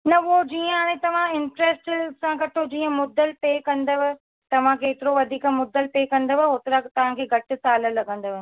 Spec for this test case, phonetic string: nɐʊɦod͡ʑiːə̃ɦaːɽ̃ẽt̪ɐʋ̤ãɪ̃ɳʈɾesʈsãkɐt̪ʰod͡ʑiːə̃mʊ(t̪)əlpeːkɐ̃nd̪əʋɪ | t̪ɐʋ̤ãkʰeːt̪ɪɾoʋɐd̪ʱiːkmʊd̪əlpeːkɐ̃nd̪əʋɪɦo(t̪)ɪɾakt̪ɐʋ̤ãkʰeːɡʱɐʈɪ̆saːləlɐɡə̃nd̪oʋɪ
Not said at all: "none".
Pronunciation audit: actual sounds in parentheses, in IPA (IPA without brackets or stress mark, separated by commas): d̪, t̪